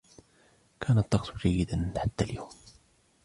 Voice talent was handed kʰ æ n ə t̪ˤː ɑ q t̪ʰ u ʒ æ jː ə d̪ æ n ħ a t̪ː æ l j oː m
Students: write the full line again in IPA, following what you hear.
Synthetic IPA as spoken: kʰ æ n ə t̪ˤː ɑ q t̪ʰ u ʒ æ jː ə d̪ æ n ħ a t̪ː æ l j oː m